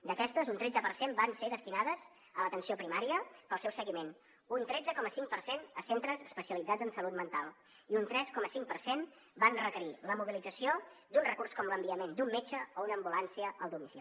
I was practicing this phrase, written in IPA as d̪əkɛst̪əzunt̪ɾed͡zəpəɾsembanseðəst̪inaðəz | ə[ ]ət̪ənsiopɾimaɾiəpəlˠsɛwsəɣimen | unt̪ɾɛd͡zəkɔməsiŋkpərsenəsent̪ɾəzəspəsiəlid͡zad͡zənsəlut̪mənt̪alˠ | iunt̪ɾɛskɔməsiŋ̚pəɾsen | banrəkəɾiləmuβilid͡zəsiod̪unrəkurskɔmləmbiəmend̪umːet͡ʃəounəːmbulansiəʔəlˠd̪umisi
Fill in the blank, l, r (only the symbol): l